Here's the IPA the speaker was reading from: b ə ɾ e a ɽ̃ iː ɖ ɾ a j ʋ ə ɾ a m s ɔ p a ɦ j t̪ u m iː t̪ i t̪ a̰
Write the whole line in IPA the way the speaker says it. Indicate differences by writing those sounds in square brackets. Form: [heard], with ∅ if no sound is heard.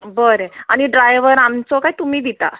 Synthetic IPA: b ə ɾ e a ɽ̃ [i] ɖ ɾ a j ʋ ə ɾ a m [t͡s] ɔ [k] a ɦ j t̪ u m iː [d̪] i t̪ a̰